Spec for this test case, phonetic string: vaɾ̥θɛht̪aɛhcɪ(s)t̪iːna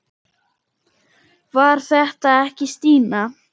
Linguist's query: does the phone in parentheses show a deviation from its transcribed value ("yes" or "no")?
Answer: no